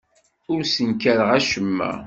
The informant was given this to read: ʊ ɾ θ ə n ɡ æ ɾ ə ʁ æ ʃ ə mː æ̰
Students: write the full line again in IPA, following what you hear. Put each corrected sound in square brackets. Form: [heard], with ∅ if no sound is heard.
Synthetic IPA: ʊ ɾ [s] ə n [k] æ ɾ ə ʁ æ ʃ ə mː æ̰